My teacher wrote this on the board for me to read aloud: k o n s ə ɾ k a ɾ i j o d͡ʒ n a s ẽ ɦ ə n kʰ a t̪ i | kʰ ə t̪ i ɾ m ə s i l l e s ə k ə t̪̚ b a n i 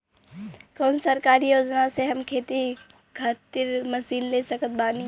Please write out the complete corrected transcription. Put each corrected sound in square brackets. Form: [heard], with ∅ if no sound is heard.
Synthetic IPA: k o n s ə ɾ k a ɾ i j o d͡ʒ n a s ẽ ɦ ə [m] kʰ [e] t̪ i | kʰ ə t̪ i ɾ m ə s i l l e s ə k ə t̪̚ b a n i